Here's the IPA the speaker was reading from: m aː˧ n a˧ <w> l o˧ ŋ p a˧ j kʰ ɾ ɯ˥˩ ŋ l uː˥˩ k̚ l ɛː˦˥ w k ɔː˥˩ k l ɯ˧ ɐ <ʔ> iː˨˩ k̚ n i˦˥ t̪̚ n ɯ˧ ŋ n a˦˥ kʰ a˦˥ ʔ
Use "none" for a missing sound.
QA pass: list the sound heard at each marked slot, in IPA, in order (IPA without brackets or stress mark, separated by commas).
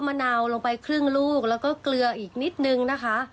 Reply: w, ʔ